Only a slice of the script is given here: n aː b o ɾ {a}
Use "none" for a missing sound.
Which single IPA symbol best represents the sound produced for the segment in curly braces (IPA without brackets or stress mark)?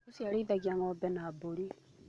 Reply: i